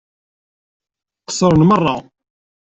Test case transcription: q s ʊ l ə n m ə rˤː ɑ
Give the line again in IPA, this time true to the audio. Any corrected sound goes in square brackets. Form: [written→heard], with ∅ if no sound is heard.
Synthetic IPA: q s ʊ [l→ɾ] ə n m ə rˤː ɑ